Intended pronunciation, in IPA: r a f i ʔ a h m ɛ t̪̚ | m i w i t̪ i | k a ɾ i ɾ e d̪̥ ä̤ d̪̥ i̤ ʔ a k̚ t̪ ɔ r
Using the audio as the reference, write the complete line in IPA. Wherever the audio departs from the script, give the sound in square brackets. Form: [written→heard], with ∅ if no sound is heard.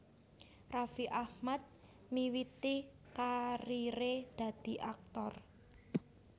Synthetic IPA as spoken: r a f i ʔ a h m [ɛ→a] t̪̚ | m i w i t̪ i | k a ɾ i ɾ e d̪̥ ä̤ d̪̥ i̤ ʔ a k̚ t̪ ɔ r